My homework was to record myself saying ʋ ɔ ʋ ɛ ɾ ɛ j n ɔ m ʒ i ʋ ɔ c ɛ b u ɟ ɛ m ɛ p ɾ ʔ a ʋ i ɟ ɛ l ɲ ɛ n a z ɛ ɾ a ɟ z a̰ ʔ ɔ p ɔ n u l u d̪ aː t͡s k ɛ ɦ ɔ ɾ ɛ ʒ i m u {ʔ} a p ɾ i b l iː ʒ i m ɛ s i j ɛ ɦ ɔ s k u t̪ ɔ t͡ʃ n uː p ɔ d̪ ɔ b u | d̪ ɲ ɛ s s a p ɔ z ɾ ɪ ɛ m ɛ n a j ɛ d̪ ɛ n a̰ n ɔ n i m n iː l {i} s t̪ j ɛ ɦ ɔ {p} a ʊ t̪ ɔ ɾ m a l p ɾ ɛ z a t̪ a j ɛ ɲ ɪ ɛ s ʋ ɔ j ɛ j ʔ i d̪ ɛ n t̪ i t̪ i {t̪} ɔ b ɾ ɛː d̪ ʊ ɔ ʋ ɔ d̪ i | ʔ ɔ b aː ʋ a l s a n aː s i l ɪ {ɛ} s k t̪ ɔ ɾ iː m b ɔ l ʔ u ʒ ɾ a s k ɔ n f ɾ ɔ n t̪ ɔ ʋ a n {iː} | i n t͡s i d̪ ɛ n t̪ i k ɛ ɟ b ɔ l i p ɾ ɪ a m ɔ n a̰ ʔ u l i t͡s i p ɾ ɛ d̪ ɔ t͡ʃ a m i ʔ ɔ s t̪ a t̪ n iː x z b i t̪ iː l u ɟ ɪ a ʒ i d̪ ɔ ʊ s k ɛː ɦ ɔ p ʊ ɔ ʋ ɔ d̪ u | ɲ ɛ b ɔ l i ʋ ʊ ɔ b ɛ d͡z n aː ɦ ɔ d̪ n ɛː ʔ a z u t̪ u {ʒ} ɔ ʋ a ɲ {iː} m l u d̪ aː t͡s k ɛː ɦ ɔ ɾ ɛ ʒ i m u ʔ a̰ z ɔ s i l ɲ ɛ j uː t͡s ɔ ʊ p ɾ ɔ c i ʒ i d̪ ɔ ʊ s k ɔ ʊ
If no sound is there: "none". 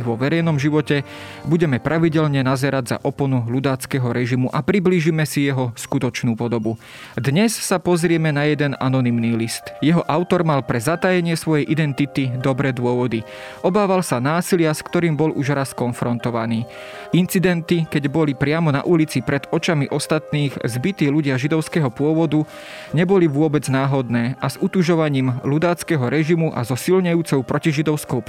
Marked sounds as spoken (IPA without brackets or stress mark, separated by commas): ʔ, i, ʔ, d̪, a, iː, ʒ, iː